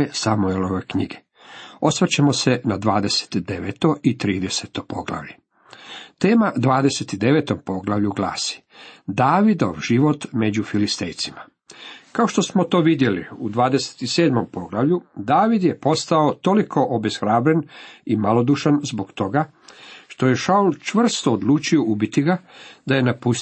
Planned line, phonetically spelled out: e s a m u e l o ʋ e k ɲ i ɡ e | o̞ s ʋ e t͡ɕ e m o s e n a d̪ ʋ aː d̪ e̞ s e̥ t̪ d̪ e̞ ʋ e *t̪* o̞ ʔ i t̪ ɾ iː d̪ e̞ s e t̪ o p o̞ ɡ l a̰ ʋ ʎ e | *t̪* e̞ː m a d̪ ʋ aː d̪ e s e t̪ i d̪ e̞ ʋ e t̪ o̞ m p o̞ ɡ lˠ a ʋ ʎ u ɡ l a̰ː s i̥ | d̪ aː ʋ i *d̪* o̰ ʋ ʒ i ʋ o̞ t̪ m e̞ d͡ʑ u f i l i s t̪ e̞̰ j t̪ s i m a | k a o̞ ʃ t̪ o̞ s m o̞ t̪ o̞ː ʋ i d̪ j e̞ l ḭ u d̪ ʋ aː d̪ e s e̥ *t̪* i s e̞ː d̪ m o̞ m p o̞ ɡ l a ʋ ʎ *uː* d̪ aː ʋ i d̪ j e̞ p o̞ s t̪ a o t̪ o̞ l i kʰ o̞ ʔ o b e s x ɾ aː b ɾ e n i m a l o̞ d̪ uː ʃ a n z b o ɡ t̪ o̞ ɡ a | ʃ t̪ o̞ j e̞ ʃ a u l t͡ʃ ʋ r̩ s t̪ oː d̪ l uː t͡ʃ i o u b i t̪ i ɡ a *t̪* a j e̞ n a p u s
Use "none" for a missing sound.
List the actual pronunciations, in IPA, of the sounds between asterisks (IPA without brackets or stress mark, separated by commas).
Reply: t̪, t̪, d̪, t̪, u, d̪